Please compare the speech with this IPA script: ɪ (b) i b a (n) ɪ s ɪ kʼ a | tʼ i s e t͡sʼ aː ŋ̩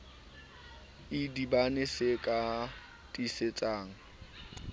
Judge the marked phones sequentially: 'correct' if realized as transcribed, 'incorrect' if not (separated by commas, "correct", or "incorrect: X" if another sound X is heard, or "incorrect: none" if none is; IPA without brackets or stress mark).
incorrect: d, correct